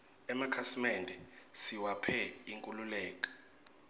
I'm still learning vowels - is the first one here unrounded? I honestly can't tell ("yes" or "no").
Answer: yes